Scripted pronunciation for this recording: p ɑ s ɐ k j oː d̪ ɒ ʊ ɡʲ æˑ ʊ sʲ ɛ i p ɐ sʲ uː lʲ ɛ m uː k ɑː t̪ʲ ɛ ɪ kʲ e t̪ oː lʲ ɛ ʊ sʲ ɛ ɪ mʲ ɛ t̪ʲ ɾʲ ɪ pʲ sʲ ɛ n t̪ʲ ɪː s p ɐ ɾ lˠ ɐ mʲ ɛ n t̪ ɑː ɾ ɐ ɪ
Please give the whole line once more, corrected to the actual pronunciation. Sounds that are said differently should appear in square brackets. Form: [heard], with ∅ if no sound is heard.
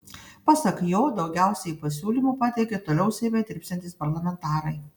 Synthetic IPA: p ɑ s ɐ k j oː d̪ ɒ ʊ ɡʲ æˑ ʊ sʲ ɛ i p ɐ sʲ uː lʲ [i] m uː [p] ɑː t̪ʲ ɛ ɪ kʲ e t̪ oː lʲ ɛ ʊ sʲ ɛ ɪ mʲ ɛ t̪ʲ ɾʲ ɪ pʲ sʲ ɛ n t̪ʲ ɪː s p ɐ ɾ lˠ ɐ mʲ ɛ n t̪ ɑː ɾ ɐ ɪ